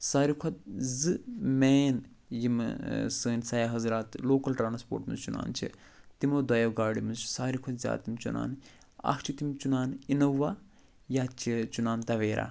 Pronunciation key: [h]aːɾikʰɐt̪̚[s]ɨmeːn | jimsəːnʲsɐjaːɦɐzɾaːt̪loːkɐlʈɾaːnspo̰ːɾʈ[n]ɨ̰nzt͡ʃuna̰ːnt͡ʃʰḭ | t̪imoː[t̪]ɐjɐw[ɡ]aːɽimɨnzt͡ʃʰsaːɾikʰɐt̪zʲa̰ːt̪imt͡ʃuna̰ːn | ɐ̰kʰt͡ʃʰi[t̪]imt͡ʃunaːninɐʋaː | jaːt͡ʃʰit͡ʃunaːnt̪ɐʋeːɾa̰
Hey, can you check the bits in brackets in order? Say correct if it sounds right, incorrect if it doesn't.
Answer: incorrect: s, incorrect: z, incorrect: m, incorrect: d̪, correct, correct

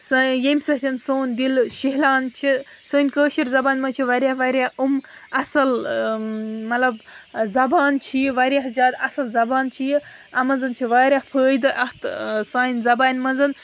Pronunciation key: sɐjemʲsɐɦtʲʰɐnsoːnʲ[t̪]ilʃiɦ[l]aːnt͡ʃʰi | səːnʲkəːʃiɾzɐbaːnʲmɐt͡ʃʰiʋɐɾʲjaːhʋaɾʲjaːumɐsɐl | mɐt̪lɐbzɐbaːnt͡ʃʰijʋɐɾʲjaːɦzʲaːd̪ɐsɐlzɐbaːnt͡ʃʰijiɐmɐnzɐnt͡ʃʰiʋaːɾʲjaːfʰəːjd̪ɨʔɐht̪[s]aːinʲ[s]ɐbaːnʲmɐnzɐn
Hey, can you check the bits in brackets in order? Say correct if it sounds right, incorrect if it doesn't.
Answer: incorrect: d̪, correct, correct, incorrect: z

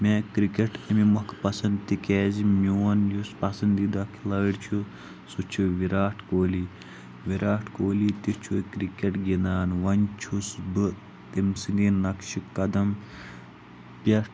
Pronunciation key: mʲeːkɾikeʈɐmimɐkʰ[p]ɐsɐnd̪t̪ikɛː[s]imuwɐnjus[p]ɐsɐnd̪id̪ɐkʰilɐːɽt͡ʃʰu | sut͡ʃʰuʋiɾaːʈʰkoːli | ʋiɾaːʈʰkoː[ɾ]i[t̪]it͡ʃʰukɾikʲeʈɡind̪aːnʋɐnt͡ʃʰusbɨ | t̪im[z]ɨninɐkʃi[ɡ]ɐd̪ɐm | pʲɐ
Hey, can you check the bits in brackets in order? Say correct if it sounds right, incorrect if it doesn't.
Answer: correct, incorrect: z, correct, incorrect: l, correct, incorrect: s, incorrect: k

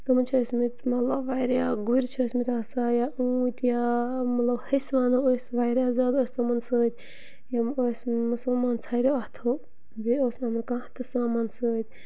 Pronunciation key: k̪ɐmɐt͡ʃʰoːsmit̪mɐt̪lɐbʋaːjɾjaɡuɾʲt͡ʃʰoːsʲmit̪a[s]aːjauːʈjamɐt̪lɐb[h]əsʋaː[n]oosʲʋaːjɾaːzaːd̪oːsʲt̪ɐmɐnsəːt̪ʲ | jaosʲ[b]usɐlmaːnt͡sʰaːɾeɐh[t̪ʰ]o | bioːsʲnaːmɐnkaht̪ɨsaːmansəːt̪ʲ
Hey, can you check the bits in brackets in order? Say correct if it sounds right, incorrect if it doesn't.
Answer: correct, correct, correct, incorrect: m, correct

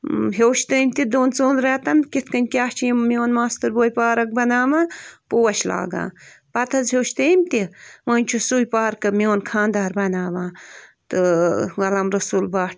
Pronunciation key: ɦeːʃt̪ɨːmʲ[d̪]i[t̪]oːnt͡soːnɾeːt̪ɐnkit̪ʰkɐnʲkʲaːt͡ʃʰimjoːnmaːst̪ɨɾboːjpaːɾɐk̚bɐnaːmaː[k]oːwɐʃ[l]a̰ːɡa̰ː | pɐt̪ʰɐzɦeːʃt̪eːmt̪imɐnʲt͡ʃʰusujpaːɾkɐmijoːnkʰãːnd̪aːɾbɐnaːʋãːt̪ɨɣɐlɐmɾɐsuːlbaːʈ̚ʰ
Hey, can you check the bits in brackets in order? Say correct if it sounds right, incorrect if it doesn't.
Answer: incorrect: t̪, incorrect: d̪, incorrect: p, correct

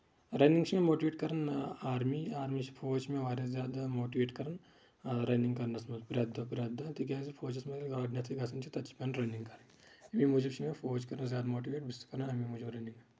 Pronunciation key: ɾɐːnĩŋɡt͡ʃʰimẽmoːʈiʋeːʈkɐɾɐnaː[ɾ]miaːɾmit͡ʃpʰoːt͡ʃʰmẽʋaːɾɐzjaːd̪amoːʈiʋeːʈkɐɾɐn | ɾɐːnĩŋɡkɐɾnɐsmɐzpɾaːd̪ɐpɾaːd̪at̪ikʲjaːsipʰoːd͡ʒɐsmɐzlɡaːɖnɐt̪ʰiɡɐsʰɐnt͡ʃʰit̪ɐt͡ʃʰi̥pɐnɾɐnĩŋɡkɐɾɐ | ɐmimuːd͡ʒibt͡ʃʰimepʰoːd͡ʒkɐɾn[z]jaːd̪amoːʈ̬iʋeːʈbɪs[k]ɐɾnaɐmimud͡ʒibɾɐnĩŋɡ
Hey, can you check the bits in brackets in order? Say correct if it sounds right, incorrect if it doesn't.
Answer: correct, correct, correct

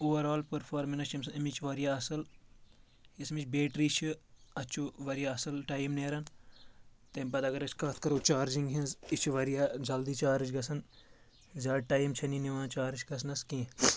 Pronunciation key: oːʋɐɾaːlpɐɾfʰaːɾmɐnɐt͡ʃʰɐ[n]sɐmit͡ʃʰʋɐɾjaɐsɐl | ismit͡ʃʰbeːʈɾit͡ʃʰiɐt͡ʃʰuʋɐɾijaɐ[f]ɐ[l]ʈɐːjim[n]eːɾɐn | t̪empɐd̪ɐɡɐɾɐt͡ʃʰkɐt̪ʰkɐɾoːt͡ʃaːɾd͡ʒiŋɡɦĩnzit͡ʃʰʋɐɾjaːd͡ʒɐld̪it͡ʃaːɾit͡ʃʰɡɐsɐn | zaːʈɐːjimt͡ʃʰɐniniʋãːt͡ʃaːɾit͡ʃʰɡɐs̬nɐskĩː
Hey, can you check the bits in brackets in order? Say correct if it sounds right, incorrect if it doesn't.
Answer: incorrect: m, incorrect: s, correct, correct

